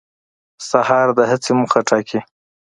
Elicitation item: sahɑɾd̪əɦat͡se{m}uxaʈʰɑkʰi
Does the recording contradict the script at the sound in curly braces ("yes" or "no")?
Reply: no